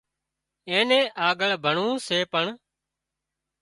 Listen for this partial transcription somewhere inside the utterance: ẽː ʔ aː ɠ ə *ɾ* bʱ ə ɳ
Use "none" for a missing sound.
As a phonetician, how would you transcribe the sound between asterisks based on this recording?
ɭ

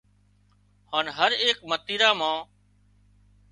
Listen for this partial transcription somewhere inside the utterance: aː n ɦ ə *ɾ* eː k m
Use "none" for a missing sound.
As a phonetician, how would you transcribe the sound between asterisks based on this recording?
ɾ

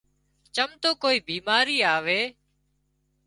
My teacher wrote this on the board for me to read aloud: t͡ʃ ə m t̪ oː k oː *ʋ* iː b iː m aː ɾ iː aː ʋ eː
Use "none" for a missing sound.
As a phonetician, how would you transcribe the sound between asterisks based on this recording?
none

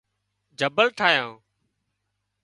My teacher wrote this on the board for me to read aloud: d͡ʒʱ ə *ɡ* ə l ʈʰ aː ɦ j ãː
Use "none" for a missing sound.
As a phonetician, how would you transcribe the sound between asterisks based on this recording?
b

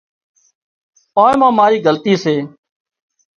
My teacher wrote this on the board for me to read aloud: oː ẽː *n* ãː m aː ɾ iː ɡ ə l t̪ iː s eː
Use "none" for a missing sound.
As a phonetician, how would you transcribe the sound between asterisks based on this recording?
m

